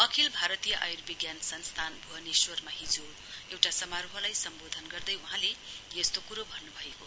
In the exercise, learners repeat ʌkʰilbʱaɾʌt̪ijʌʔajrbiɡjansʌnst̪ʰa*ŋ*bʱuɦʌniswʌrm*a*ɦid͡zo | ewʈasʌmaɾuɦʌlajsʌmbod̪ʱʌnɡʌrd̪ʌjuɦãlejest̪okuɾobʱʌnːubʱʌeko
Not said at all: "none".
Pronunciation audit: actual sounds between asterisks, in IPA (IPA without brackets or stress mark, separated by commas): n, a